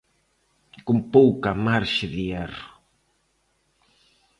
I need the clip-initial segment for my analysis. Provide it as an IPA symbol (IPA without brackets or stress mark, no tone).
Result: k